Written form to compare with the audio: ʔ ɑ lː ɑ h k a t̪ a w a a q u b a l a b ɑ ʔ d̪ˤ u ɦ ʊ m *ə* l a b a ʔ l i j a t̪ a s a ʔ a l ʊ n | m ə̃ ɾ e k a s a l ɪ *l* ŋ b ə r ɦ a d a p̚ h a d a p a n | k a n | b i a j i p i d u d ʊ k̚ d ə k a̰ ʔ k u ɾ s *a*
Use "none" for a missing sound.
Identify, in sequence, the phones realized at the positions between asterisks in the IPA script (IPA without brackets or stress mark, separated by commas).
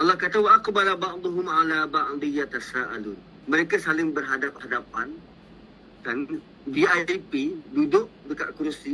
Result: a, none, i